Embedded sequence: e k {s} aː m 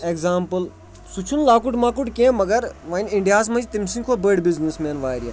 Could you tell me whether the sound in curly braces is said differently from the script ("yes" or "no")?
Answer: yes